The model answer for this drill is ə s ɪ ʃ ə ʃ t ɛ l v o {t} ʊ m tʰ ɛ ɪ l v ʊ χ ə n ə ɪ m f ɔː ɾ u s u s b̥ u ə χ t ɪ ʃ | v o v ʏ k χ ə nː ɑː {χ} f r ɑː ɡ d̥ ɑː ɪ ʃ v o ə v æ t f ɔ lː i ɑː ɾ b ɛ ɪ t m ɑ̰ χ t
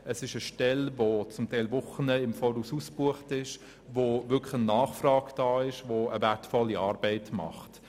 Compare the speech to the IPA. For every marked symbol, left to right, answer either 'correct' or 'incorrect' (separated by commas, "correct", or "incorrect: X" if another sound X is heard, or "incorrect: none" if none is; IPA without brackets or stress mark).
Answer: incorrect: t͡s, correct